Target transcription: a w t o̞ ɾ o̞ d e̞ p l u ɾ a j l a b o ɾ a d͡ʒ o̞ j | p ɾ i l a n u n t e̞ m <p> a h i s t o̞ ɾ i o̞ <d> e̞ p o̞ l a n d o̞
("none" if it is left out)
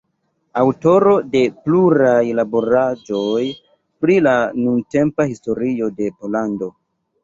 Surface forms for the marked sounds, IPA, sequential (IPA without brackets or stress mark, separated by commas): p, d